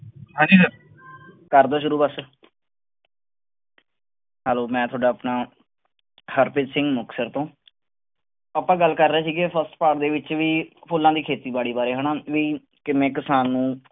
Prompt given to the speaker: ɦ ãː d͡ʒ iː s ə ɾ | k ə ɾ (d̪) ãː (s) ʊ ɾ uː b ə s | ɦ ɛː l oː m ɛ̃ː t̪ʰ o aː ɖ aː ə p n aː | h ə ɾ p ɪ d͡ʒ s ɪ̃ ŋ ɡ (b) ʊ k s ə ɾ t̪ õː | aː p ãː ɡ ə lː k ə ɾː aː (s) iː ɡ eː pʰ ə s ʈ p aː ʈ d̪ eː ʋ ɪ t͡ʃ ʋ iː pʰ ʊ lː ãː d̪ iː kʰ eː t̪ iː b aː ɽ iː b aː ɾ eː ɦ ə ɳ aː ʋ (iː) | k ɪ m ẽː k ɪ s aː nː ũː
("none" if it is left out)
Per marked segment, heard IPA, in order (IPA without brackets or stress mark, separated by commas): d̪, ʃ, m, s, iː